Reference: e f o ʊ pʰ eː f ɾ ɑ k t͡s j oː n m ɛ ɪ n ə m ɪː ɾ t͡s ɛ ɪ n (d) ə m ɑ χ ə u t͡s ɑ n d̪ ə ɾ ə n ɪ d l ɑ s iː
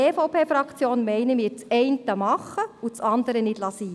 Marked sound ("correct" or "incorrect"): incorrect